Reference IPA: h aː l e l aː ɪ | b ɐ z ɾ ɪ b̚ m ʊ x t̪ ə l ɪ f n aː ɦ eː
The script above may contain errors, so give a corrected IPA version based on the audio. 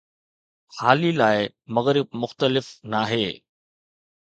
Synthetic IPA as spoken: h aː l i l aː ɪ | m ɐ ɣ ɾ ɪ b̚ m ʊ x t̪ ə l ɪ f n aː ɦ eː